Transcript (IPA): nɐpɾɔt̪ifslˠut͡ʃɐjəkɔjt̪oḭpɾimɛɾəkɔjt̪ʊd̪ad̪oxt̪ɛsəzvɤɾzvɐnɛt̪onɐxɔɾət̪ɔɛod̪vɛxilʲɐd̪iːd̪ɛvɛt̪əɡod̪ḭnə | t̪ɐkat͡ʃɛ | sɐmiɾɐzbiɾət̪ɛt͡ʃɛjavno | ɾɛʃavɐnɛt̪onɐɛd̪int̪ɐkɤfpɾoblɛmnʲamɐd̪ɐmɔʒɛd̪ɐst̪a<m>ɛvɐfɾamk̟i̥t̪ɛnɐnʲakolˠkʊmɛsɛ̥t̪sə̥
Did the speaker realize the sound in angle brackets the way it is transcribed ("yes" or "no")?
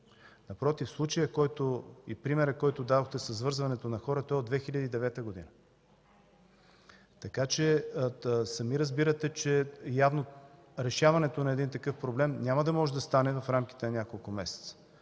no